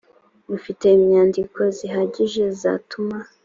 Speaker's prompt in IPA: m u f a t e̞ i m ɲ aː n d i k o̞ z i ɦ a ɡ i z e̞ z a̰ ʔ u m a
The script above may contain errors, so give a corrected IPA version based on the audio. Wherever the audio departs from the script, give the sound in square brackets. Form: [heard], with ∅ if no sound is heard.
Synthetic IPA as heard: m u f [i] t e̞ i m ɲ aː n d i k o̞ z i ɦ a [ɟ] i [ʒ] e̞ z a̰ [t] u m a